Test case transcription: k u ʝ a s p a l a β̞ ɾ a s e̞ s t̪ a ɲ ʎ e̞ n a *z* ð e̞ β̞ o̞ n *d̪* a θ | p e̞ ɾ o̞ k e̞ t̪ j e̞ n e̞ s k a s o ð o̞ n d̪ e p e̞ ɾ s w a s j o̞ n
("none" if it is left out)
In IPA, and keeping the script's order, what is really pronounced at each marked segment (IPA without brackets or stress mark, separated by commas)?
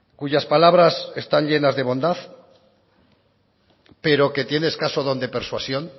z, d̪